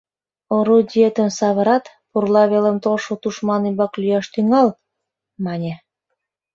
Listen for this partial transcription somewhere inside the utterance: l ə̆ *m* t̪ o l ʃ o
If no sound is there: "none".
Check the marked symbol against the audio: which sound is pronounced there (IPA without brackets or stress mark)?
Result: m